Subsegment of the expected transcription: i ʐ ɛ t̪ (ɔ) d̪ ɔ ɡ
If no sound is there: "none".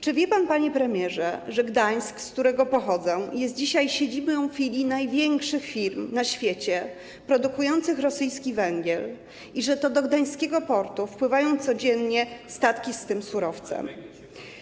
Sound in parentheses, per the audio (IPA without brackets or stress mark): ɔ